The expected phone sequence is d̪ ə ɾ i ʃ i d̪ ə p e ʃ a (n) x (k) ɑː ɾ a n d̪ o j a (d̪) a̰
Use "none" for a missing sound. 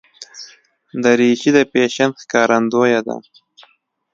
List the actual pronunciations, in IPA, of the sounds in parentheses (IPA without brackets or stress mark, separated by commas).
n, k, d̪